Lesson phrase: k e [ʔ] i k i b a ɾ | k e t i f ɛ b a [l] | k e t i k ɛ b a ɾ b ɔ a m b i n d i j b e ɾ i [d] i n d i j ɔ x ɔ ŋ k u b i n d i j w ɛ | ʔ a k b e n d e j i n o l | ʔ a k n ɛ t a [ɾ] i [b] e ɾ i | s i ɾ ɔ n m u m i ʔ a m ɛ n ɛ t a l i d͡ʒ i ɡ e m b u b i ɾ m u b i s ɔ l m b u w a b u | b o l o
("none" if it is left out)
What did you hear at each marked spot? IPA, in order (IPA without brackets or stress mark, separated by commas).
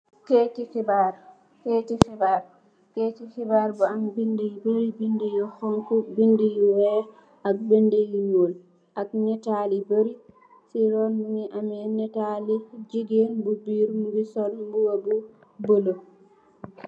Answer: t, ɾ, b, l, b